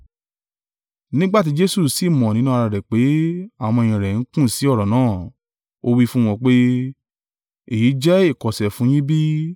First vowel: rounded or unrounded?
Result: unrounded